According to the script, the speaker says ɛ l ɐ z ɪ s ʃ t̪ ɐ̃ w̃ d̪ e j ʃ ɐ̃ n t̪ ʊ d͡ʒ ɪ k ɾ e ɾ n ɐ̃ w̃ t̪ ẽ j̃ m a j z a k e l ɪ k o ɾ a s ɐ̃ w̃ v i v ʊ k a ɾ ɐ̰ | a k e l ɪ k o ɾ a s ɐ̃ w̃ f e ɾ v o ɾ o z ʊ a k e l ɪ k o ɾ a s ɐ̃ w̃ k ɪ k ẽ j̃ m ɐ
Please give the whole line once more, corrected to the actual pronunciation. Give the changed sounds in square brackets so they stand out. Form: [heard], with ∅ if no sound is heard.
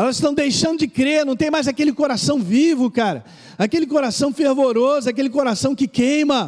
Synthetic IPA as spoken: ɛ l ɐ z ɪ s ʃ t̪ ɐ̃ w̃ d̪ e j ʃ ɐ̃ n [d̪] ʊ d͡ʒ ɪ k ɾ e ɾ n ɐ̃ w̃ t̪ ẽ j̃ m a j z a k e l ɪ k o ɾ a s ɐ̃ w̃ v i v ʊ k a ɾ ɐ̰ | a k e l ɪ k o ɾ a s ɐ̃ w̃ f e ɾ v o ɾ o z ʊ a k e l ɪ k o ɾ a s ɐ̃ w̃ k ɪ k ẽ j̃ m ɐ